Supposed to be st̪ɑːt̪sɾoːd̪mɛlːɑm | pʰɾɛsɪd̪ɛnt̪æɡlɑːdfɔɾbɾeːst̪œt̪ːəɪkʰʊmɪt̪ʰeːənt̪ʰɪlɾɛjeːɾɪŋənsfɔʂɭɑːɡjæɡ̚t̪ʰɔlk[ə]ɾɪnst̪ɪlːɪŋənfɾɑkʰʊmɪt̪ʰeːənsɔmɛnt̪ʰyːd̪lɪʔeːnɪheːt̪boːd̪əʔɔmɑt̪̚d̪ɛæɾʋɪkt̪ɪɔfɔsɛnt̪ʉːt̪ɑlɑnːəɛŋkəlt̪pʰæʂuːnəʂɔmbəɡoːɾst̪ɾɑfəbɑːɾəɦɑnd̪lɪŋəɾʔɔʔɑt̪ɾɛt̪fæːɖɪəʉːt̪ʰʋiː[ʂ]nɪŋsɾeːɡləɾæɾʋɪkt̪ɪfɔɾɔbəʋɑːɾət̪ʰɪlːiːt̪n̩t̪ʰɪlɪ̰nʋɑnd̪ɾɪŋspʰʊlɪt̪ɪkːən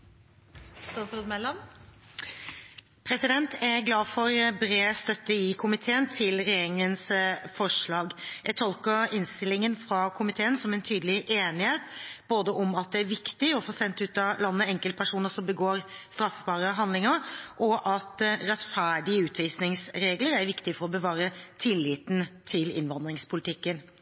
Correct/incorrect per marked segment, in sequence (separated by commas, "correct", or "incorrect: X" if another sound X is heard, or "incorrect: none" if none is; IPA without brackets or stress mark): correct, incorrect: s